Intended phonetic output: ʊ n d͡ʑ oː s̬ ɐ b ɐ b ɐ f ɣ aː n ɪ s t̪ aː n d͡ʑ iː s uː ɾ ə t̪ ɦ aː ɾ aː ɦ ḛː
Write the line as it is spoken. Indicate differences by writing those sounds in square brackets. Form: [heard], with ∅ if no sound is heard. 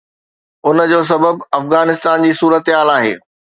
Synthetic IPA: ʊ n d͡ʑ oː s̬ ɐ b [ə] b ɐ f ɣ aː n ɪ s t̪ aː n d͡ʑ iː s uː ɾ ə t̪ ɦ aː [l] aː ɦ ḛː